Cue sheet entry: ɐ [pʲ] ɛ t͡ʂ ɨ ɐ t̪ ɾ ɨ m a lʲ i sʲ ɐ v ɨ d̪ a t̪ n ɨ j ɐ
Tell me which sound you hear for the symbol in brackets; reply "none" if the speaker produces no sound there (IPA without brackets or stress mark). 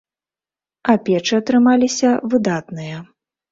pʲ